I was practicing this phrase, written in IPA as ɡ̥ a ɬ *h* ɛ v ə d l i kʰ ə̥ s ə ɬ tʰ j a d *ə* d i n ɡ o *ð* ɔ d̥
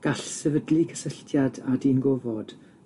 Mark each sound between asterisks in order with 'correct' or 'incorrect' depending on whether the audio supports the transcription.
incorrect, incorrect, incorrect

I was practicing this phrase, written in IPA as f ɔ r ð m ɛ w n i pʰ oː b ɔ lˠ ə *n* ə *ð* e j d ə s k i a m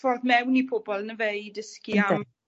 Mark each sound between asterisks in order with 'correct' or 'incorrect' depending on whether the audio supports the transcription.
correct, incorrect

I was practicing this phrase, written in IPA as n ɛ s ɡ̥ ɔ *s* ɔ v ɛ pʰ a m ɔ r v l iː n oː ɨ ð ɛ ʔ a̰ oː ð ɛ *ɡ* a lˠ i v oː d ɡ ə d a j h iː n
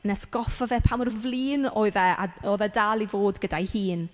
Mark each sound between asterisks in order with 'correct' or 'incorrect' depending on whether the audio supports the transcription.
incorrect, incorrect

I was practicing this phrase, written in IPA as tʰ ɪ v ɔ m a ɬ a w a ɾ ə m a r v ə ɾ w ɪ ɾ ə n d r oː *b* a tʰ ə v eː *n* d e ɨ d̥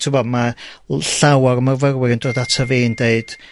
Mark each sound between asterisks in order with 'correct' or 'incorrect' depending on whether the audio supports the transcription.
incorrect, correct

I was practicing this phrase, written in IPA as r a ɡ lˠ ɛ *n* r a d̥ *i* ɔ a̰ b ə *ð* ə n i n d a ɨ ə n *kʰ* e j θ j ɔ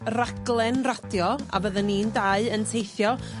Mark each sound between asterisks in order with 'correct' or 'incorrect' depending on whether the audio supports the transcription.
correct, incorrect, correct, incorrect

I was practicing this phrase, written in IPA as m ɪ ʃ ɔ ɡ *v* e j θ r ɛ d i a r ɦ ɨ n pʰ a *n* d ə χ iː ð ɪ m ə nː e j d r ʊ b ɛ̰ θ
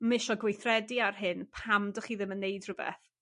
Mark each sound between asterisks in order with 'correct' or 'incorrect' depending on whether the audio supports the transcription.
incorrect, incorrect

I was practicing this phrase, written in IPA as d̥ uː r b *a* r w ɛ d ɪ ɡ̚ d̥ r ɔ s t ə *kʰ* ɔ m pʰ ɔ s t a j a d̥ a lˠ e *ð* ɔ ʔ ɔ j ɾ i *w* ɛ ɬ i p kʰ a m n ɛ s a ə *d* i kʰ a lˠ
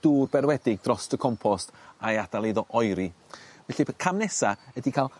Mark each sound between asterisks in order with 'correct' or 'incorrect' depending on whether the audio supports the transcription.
incorrect, correct, correct, incorrect, correct

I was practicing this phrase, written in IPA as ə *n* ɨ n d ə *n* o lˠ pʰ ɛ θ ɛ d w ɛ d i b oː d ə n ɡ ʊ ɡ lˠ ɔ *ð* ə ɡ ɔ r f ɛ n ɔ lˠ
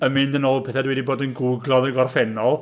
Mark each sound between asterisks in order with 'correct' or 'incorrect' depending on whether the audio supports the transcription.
incorrect, correct, correct

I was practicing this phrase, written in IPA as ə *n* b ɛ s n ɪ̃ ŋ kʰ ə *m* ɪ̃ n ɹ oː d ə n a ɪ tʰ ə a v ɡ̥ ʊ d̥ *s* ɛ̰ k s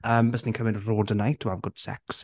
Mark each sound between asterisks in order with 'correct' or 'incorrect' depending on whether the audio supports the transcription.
incorrect, correct, correct

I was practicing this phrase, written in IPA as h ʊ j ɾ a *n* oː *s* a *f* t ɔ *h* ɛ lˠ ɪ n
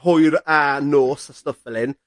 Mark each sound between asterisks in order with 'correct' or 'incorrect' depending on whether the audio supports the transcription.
correct, correct, incorrect, incorrect

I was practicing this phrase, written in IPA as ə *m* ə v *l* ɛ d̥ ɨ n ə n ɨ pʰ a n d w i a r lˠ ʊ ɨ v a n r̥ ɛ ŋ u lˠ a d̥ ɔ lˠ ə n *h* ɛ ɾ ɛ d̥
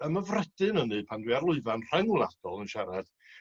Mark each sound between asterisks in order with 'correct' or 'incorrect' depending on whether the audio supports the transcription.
correct, incorrect, incorrect

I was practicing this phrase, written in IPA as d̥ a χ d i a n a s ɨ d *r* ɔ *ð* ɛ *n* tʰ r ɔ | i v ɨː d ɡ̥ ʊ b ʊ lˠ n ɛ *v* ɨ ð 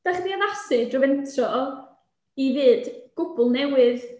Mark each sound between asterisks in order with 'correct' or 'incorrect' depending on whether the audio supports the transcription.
correct, incorrect, correct, incorrect

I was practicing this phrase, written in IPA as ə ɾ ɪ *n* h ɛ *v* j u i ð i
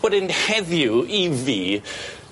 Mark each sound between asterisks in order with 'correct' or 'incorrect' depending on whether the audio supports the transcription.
correct, incorrect

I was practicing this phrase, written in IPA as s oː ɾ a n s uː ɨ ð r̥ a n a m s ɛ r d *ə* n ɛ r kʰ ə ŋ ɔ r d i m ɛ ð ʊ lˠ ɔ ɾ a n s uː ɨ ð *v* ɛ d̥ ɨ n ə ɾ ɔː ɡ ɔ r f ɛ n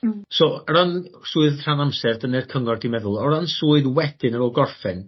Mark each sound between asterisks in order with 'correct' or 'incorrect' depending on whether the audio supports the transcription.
correct, incorrect

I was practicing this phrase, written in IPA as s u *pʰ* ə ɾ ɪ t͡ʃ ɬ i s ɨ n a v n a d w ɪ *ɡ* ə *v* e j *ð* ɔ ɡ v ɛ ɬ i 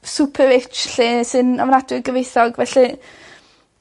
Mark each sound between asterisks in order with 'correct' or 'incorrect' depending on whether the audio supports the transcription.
correct, correct, correct, incorrect

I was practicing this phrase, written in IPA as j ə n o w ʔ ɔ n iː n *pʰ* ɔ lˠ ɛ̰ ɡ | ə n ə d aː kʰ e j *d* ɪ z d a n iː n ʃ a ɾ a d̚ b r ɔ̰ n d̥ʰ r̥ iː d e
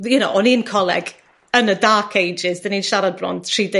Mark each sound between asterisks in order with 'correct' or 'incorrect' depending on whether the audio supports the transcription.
incorrect, incorrect

